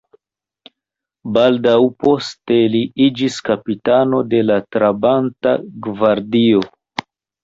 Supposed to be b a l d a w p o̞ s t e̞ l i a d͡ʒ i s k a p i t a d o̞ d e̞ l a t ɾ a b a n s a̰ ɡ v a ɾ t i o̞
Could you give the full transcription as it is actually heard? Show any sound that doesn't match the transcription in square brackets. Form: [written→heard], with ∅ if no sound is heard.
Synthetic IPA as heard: b a l d a w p o̞ s t e̞ l i [a→i] d͡ʒ i s k a p i t a [d→n] o̞ d e̞ l a t ɾ a b a n [s→t] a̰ ɡ v a ɾ [t→d] i o̞